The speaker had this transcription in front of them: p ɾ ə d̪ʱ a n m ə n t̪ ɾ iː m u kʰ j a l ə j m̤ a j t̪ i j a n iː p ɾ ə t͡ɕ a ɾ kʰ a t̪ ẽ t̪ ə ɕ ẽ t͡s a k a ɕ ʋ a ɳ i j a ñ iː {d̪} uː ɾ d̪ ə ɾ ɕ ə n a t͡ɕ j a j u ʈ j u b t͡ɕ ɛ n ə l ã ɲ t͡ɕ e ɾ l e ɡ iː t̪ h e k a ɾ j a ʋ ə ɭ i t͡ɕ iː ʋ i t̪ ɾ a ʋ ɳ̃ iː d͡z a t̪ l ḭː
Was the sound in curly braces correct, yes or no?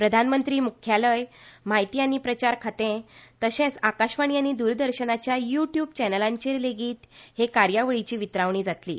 yes